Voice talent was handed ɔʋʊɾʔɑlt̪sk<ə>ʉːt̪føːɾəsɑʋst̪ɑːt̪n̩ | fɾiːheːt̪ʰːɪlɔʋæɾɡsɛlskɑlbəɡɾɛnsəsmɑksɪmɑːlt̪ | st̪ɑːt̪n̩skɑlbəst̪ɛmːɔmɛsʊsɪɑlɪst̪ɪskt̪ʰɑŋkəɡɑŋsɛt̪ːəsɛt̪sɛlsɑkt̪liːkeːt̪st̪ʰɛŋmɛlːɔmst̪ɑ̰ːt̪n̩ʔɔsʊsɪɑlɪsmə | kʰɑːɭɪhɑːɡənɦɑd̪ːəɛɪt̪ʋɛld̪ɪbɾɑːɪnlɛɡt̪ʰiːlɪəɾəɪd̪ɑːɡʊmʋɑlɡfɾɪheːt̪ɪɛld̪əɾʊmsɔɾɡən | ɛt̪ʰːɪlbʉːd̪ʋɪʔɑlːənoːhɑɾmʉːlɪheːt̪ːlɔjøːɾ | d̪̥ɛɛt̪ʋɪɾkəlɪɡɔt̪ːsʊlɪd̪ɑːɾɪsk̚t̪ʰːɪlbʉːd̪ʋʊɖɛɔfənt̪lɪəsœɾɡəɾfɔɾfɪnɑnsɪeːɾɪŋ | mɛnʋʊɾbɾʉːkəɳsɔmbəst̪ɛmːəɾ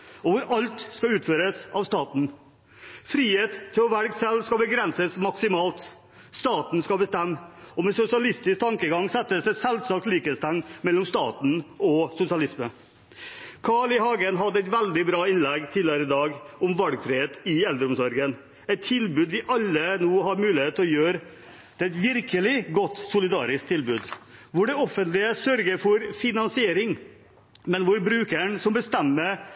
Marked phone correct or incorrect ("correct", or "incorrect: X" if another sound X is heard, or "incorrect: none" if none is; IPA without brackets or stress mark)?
incorrect: ɑ